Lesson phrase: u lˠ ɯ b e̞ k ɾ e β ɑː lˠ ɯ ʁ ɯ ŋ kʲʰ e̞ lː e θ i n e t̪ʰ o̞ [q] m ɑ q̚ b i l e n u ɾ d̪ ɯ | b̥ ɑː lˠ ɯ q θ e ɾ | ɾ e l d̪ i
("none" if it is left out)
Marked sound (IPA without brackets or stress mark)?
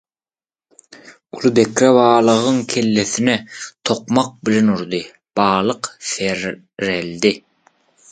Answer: q